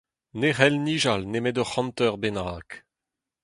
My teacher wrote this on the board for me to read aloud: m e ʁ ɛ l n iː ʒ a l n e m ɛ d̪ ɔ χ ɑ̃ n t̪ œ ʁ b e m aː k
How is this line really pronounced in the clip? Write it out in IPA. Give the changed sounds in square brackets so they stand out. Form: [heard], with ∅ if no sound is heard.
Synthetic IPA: [n] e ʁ ɛ l n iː ʒ a l n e m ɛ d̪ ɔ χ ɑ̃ n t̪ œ ʁ b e [n] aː k